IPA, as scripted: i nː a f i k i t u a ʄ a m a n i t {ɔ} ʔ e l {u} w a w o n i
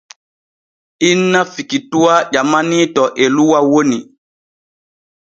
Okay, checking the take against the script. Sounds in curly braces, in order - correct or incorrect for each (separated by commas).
correct, correct